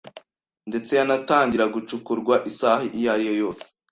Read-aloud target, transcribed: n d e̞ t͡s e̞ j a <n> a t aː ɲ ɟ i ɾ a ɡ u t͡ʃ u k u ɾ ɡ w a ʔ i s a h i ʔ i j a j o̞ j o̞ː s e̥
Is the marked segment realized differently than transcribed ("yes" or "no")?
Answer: no